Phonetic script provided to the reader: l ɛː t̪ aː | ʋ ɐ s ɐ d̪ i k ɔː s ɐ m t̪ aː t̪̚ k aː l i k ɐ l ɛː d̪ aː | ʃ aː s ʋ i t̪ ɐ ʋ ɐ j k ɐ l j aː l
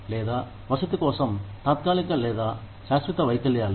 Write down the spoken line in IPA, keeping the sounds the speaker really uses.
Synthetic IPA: l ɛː d̪ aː | ʋ ɐ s ɐ t̪ i k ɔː s ɐ m t̪ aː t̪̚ k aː l i k ɐ l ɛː d̪ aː | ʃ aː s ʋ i t̪ ɐ ʋ ɐ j k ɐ l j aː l

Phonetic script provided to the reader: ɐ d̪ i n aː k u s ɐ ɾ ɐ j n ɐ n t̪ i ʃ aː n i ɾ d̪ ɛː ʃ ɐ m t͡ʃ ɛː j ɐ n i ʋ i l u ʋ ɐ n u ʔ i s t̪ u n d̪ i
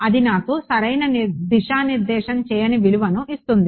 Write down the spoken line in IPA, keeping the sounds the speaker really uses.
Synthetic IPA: ɐ d̪ i n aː k u s ɐ ɾ ɐ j n ɐ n d̪ i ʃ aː n i ɾ d̪ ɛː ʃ ɐ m t͡ʃ ɛː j ɐ n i ʋ i l u ʋ ɐ n u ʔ i s t̪ u n d̪ i

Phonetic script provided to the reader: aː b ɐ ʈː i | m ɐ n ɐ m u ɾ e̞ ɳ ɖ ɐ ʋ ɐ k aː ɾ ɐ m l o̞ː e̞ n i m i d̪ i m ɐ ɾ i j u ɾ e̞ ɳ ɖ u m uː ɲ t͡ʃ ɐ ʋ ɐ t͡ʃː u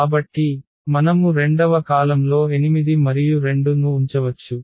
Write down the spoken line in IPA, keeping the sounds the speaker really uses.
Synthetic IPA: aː b ɐ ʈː i | m ɐ n ɐ m u ɾ e̞ ɳ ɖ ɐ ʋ ɐ k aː l ɐ m l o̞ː e̞ n i m i d̪ i m ɐ ɾ i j u ɾ e̞ ɳ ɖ u n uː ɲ t͡ʃ ɐ ʋ ɐ t͡ʃː u

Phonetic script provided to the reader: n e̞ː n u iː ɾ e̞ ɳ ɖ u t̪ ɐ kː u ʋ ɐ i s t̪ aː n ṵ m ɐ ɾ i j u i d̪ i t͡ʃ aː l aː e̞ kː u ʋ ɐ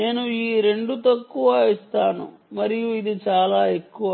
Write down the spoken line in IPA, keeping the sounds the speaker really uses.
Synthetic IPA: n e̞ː n u iː ɾ e̞ ɳ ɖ u t̪ ɐ kː u ʋ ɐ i s t̪ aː n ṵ m ɐ ɾ i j u i d̪ i t͡ʃ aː l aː e̞ kː u ʋ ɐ

